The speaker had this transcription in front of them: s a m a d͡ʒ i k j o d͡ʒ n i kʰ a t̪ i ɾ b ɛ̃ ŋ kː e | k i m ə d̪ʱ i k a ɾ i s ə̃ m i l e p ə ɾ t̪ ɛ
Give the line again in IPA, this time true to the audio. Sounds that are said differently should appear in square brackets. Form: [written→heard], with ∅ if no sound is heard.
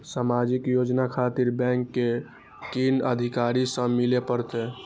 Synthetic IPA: s a m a d͡ʒ i k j o d͡ʒ n [i→a] kʰ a t̪ i ɾ b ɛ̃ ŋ kː e | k i [m→n] ə d̪ʱ i k a ɾ i s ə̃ m i l e p ə ɾ t̪ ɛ